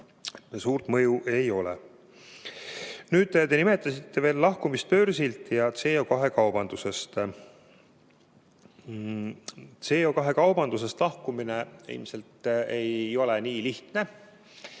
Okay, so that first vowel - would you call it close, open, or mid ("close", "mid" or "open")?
close